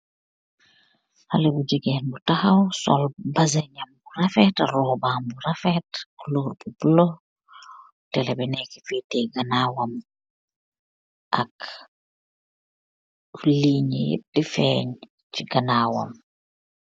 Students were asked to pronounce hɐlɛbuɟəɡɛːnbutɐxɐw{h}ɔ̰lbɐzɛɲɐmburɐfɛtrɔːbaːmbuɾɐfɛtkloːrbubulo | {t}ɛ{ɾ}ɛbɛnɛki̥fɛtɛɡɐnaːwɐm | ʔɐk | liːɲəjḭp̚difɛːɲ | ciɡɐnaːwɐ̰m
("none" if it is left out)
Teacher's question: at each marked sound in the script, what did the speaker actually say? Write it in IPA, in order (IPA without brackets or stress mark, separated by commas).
s, t, l